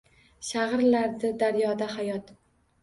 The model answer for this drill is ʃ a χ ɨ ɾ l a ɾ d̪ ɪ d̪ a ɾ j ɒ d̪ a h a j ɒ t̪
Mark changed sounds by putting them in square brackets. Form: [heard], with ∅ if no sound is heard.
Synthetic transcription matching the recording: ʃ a [ʁ] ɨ ɾ l a ɾ d̪ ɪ d̪ a ɾ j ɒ d̪ a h a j ɒ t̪